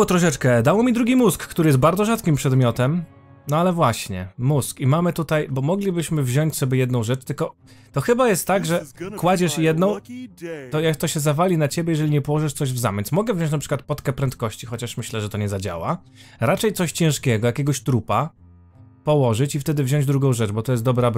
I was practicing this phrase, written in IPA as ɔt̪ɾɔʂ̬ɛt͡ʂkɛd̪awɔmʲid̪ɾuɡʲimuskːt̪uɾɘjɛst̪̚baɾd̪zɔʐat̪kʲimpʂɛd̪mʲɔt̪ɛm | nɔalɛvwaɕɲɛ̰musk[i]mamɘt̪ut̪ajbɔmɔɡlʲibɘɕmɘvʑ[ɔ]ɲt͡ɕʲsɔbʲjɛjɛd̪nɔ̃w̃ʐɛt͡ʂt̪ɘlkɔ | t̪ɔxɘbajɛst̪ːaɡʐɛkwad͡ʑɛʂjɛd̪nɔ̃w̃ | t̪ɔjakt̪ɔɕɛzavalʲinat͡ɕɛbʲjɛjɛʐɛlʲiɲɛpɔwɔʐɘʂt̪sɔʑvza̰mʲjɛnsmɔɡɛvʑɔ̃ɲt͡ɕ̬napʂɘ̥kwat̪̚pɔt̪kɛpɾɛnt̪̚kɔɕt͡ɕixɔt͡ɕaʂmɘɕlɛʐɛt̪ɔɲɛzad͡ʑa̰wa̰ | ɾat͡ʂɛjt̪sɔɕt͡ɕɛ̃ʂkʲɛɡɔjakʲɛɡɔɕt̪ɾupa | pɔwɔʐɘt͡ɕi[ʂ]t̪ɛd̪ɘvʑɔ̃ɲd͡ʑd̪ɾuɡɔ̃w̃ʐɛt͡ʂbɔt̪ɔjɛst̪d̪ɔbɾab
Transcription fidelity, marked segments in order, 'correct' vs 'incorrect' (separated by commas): correct, correct, incorrect